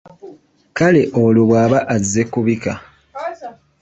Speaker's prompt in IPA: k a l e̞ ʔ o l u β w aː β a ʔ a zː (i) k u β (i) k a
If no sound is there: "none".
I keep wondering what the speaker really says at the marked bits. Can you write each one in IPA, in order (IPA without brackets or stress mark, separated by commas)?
e, i